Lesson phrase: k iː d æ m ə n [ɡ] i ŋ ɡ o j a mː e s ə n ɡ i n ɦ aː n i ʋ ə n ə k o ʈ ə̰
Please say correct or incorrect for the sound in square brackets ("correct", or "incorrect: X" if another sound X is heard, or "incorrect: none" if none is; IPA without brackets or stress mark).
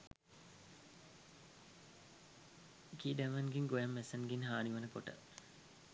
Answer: correct